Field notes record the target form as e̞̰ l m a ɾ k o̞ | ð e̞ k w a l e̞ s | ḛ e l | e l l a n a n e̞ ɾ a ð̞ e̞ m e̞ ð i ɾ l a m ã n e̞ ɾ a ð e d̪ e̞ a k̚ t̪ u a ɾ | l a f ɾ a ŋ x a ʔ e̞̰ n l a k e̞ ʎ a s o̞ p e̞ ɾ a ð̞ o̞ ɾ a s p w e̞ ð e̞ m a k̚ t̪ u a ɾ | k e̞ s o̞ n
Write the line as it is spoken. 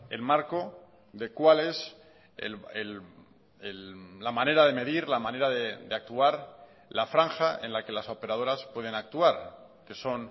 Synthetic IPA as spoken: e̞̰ l m a ɾ k o̞ | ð e̞ k w a l e̞ s | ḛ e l | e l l a m a n e̞ ɾ a ð̞ e̞ m e̞ ð i ɾ l a m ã n e̞ ɾ a ð e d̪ e̞ a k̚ t̪ u a ɾ | l a f ɾ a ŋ x a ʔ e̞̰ n l a k e̞ l a s o̞ p e̞ ɾ a ð̞ o̞ ɾ a s p w e̞ ð e̞ n a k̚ t̪ u a ɾ | k e̞ s o̞ n